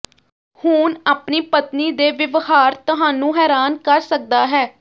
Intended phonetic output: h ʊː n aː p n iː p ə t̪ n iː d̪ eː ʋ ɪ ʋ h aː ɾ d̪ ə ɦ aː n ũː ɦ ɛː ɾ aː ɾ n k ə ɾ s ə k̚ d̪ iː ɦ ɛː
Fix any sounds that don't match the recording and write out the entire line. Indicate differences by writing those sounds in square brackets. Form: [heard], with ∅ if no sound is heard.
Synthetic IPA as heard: h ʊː n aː p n iː p ə t̪ n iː d̪ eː ʋ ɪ ʋ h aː ɾ [t̪] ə ɦ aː n ũː ɦ ɛː ɾ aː [∅] n k ə ɾ s ə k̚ d̪ [aː] ɦ ɛː